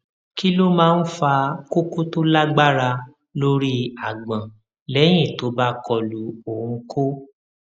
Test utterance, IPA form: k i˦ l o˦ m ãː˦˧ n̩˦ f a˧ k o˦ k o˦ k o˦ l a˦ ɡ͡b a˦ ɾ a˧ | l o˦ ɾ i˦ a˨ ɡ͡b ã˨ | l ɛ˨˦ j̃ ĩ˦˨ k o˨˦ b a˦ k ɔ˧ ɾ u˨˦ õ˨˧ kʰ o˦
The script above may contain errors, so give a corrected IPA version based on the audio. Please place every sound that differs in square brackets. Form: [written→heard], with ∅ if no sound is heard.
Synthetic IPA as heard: k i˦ l o˦ m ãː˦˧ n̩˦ f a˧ k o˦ k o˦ [k→t] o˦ l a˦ ɡ͡b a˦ ɾ a˧ | l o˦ ɾ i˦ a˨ ɡ͡b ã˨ | l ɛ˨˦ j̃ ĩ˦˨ [k→t] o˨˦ b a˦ k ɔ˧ [ɾ→l] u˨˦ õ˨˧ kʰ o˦